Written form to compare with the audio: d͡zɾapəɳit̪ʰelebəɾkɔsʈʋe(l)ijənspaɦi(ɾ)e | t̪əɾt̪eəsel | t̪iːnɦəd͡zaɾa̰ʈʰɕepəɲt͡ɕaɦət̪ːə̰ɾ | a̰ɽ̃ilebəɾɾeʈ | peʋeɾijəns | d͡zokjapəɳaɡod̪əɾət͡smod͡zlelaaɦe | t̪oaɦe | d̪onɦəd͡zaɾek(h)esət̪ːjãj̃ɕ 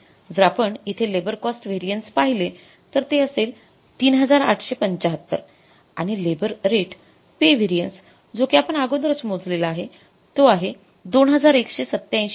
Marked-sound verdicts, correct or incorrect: incorrect, incorrect, incorrect

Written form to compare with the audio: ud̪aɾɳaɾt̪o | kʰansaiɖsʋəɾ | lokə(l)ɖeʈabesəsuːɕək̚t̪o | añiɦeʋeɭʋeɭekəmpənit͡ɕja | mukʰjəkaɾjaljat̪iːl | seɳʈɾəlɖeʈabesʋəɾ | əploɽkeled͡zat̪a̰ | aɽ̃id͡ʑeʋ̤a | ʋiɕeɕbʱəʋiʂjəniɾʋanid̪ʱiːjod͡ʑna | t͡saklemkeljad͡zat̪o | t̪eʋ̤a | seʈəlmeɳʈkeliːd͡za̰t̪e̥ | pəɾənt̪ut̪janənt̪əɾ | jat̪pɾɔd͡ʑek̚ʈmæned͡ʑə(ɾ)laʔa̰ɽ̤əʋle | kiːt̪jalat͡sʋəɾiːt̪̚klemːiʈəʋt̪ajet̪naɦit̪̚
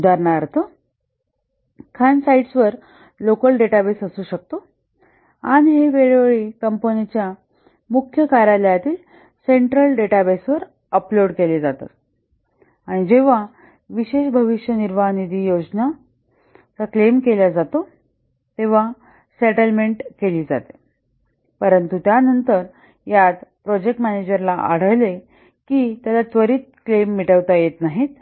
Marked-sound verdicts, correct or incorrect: correct, correct

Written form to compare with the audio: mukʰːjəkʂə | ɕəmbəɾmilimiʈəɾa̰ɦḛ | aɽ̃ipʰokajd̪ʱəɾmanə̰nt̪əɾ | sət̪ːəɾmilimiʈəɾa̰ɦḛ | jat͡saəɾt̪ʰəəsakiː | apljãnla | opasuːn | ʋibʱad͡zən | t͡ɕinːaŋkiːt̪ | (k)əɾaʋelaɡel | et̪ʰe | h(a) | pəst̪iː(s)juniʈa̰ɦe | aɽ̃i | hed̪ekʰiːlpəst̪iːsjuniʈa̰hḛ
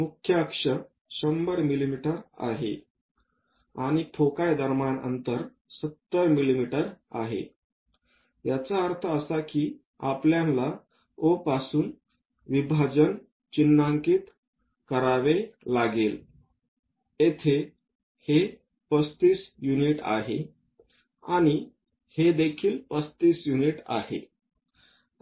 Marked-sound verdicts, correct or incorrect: correct, incorrect, correct

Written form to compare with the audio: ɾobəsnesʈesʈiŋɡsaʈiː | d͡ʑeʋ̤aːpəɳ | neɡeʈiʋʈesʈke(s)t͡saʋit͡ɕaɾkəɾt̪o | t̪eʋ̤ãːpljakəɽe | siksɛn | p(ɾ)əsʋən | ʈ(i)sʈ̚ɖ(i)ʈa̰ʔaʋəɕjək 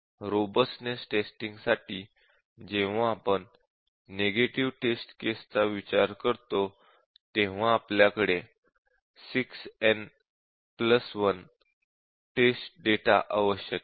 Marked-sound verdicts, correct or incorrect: correct, incorrect, incorrect, incorrect

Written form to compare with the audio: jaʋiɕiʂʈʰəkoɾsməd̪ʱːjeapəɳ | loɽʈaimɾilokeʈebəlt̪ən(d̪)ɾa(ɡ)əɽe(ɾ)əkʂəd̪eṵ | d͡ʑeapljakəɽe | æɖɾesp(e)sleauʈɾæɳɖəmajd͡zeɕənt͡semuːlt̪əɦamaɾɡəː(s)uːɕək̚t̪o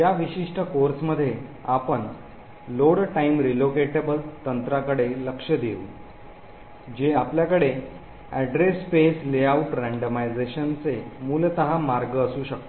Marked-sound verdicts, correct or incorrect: incorrect, incorrect, incorrect, correct, correct

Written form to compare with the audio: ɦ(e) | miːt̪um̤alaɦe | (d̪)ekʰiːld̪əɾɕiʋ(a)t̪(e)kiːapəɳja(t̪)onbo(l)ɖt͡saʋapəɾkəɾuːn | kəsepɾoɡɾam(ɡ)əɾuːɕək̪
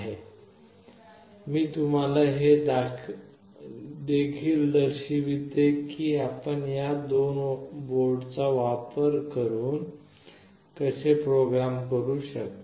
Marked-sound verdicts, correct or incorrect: correct, correct, incorrect, correct, incorrect, incorrect, incorrect

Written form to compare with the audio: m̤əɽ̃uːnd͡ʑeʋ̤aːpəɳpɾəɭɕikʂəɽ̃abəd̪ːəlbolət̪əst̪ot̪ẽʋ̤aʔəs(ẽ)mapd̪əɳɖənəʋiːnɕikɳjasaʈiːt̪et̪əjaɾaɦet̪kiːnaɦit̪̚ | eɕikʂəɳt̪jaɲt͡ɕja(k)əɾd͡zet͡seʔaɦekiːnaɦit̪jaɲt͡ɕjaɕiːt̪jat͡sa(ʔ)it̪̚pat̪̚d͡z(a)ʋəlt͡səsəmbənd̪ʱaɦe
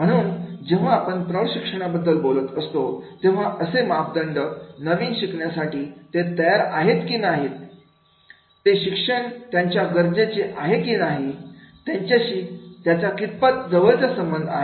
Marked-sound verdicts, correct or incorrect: incorrect, incorrect, incorrect, incorrect

